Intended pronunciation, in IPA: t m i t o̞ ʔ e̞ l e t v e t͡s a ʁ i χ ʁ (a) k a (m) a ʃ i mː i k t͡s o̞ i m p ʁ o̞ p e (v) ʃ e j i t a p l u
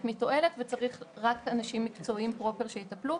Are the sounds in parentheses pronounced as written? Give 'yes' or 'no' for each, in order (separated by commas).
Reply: yes, no, no